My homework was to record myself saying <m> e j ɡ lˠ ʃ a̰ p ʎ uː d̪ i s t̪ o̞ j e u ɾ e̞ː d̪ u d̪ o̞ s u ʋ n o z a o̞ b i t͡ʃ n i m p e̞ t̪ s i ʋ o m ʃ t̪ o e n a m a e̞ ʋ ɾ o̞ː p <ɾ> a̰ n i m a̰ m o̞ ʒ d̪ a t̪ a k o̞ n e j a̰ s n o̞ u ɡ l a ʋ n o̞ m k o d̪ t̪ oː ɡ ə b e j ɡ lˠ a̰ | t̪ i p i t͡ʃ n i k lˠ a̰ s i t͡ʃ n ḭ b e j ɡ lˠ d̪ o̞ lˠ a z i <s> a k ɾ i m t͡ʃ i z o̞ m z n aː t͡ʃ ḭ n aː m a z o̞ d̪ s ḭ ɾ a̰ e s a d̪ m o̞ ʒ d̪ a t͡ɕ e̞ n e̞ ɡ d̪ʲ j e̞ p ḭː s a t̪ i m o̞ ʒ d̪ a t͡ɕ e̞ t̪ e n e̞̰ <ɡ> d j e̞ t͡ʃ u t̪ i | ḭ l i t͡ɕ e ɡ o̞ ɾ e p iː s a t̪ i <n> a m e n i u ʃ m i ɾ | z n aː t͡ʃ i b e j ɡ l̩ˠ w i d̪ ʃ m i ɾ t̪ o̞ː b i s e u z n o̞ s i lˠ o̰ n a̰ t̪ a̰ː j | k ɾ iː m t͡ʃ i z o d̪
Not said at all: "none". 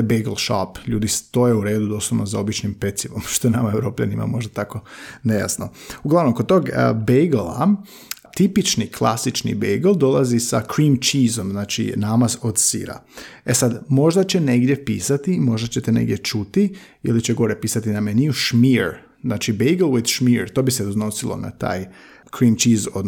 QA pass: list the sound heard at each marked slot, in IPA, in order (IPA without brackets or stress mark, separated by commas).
b, ʎ, s, ɡ, n